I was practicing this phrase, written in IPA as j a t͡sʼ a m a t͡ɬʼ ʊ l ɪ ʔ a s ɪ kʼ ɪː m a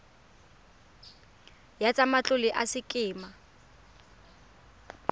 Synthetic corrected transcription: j a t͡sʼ a m a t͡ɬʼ ʊ l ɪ ʔ a s ɪ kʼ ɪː m a